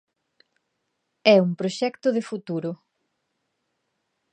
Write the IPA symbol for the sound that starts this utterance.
ɛ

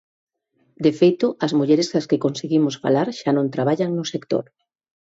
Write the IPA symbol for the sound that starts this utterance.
d̪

